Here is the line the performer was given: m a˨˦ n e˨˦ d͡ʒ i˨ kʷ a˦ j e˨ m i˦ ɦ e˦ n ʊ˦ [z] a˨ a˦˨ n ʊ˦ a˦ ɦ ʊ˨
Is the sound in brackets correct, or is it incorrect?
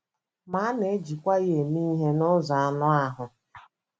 correct